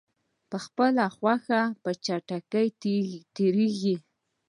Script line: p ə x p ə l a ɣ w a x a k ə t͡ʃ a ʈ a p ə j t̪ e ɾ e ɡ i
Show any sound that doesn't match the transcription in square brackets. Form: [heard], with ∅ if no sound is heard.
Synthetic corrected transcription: p ə x p ə l a [x] w a x a [p] ə t͡ʃ a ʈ a [k] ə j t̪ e ɾ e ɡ i